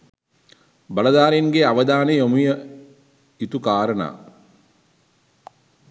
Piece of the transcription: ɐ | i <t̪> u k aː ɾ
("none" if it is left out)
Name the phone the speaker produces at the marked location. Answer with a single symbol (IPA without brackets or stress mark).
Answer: t̪